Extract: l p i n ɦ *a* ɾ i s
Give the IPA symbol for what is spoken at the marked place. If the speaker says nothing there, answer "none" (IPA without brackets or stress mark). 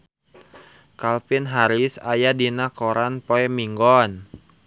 a